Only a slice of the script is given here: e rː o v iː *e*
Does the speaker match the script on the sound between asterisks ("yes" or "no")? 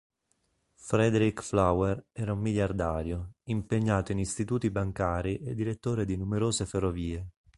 yes